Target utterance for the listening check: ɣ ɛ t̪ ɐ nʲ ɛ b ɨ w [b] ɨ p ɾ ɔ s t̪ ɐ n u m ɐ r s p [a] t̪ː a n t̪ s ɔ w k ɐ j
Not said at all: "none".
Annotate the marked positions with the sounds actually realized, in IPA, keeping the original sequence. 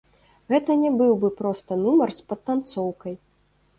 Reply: b, ɐ

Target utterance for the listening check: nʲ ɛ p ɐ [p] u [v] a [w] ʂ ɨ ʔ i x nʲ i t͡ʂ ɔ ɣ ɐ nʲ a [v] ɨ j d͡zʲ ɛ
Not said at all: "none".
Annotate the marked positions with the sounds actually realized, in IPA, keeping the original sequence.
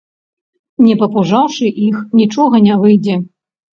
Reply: p, ʐ, w, v

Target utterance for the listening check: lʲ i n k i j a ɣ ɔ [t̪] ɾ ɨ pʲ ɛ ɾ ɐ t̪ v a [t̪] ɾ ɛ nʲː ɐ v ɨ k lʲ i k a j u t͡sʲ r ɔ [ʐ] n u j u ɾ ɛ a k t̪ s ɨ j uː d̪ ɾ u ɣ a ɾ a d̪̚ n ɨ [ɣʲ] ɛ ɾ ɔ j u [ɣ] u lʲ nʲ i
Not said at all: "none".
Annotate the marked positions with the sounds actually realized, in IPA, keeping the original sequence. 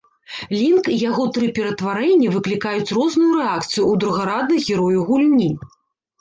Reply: t̪, none, z, ɣʲ, ɣ

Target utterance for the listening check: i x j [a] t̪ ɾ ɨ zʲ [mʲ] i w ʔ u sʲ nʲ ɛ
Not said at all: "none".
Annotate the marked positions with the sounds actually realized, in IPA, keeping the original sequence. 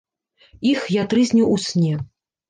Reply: a, nʲ

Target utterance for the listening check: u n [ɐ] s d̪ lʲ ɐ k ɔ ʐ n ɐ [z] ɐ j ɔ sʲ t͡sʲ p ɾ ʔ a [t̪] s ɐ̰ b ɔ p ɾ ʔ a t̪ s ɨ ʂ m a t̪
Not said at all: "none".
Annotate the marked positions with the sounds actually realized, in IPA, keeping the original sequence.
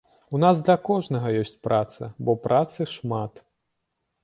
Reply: a, ɣ, t̪

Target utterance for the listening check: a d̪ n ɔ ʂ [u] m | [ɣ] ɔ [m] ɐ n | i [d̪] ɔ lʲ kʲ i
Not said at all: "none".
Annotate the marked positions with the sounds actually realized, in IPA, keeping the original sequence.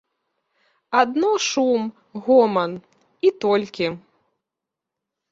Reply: u, ɣ, m, t̪

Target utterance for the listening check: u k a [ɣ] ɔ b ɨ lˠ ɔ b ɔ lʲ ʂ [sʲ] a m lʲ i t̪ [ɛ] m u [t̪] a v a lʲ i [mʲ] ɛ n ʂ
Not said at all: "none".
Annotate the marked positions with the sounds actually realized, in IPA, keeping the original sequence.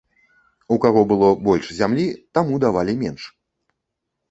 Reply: ɣ, zʲ, a, d̪, mʲ

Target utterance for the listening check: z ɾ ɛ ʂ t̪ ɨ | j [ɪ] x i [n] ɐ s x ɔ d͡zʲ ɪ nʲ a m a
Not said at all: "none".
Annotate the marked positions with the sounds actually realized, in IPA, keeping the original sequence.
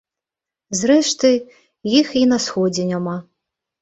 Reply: i, n

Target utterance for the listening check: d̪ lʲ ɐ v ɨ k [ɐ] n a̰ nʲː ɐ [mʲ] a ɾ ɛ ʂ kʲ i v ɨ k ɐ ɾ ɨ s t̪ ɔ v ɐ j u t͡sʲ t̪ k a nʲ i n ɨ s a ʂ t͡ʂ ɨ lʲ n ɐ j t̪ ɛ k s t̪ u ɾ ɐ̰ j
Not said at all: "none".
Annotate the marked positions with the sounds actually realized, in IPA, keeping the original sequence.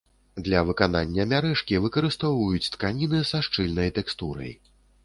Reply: a, mʲ

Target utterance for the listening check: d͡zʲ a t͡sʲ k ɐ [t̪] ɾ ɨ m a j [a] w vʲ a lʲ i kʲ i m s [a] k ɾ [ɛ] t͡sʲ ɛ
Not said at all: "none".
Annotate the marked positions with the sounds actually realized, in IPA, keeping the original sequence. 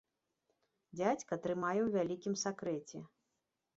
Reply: t̪, ɛ, a, ɛ

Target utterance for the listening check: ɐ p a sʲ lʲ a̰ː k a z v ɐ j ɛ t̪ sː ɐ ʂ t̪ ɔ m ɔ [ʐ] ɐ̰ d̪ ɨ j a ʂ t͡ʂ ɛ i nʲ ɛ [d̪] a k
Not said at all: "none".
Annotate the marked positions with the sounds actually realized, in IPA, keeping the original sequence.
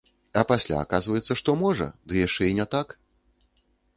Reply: ʐ, t̪

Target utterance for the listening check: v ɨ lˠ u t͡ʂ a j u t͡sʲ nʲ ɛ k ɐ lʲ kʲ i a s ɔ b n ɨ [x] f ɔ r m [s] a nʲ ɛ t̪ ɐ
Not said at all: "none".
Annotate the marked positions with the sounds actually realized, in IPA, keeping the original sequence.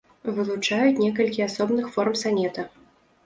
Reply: x, s

